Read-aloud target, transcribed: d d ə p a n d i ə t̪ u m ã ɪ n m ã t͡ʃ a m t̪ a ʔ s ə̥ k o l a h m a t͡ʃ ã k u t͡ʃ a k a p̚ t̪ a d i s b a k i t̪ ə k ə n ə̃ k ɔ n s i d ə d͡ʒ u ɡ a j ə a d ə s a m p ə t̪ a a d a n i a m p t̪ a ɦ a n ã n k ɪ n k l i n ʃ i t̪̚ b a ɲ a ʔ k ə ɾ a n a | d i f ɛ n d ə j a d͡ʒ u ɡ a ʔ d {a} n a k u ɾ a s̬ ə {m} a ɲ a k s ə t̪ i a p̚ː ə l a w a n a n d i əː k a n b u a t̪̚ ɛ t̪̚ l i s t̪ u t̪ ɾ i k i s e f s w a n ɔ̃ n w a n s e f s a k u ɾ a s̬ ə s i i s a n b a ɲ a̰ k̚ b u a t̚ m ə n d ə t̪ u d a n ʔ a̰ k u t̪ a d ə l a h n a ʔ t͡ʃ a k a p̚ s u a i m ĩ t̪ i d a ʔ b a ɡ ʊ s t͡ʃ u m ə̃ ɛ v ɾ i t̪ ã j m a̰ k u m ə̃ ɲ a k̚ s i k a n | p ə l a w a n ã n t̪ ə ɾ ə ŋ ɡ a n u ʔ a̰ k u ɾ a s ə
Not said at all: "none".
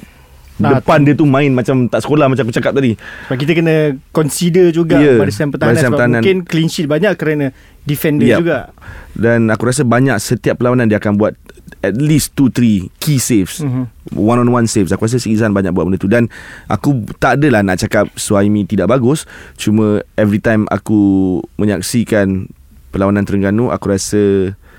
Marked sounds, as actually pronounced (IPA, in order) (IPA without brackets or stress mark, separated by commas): a, b